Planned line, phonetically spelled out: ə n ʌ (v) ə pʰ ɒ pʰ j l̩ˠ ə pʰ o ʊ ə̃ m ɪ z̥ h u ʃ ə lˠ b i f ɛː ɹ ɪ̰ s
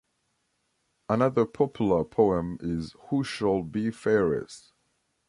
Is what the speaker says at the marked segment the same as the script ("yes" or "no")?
no